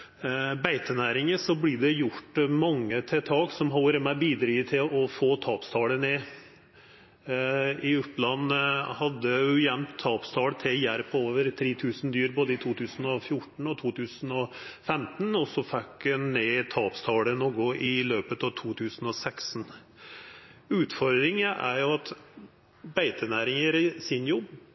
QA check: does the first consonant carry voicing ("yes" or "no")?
yes